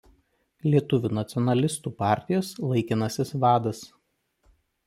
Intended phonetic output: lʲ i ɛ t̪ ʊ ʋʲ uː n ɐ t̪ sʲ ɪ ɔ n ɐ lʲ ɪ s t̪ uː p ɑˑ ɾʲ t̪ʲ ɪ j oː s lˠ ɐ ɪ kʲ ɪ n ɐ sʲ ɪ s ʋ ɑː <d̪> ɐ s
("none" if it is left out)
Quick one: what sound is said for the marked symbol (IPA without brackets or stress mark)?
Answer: d̪